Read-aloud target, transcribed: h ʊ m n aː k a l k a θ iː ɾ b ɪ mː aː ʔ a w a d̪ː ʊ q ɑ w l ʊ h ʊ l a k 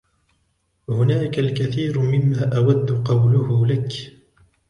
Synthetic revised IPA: h ʊ n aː k a l k a θ iː ɾ m ɪ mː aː ʔ a w a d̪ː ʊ q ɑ w l ʊ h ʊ l a k